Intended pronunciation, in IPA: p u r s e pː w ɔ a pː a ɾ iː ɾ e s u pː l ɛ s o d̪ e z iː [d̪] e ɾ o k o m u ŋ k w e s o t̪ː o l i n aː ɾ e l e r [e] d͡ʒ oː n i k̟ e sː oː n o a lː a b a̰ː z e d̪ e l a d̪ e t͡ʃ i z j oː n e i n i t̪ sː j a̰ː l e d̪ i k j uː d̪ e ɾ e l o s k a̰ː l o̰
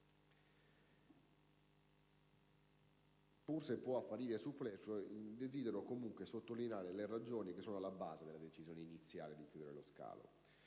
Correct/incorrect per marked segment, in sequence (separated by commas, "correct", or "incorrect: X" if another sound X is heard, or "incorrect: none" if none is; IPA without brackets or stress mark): correct, incorrect: a